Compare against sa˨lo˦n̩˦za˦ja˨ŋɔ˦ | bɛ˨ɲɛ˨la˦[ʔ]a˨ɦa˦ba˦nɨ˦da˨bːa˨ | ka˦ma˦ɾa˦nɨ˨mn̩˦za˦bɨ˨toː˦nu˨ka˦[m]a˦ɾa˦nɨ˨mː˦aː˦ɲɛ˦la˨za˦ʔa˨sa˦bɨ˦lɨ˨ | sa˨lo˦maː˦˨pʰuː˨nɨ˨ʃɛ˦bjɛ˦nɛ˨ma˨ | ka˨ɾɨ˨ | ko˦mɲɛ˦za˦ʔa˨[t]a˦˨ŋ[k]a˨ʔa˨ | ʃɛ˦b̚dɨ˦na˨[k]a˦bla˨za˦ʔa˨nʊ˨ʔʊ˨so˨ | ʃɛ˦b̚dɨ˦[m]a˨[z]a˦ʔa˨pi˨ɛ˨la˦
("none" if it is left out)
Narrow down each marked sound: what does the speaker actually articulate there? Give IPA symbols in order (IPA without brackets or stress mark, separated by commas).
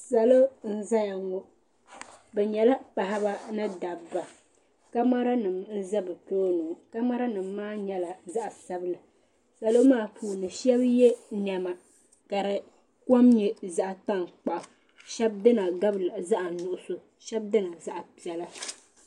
p, m, t, k͡p, ɡ, n, z